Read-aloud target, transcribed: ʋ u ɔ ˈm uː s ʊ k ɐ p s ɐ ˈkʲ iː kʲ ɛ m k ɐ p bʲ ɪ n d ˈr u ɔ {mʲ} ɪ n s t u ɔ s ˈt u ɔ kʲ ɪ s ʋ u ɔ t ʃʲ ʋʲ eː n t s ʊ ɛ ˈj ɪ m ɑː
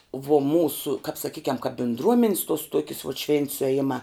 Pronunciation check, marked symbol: correct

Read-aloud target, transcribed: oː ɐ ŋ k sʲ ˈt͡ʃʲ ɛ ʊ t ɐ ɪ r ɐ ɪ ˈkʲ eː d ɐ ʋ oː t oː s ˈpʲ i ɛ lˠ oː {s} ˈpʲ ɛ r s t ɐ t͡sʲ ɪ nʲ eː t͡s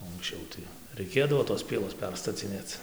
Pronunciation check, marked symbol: correct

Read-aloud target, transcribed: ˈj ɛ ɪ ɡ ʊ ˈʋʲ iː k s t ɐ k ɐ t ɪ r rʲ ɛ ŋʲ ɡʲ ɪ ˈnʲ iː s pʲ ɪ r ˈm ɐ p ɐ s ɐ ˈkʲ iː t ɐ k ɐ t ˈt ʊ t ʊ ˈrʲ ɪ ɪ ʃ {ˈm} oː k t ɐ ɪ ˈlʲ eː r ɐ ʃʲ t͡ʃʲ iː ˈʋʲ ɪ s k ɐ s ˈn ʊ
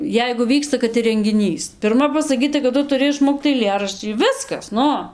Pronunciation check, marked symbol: correct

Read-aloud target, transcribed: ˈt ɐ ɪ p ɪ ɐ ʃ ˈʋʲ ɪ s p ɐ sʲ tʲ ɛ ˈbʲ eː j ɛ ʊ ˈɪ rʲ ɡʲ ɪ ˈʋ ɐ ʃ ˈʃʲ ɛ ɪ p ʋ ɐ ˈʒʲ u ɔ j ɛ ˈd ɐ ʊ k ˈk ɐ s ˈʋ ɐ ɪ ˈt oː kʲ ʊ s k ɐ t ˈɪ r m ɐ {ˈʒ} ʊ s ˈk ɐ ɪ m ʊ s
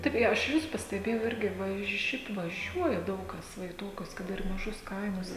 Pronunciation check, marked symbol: correct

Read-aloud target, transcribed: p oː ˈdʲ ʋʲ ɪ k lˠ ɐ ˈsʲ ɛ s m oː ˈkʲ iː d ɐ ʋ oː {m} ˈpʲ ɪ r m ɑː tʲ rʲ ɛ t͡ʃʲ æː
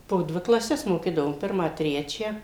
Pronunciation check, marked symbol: correct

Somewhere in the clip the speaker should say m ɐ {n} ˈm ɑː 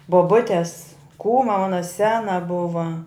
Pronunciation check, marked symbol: incorrect: none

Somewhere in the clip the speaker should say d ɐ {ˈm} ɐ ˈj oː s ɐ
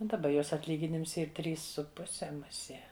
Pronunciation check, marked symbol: incorrect: b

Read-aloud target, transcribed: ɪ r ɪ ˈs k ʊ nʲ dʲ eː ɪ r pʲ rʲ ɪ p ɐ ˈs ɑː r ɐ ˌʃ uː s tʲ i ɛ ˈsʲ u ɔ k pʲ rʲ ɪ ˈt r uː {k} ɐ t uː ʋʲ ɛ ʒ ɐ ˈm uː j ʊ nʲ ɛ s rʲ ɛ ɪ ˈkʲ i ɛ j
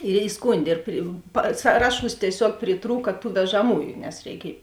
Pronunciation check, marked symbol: correct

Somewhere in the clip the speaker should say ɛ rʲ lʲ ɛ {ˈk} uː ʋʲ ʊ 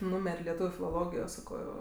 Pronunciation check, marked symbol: incorrect: t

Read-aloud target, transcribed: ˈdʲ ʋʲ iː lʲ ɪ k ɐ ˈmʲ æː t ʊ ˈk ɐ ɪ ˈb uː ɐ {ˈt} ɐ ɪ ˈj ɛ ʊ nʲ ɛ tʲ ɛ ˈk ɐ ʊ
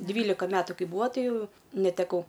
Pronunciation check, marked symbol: correct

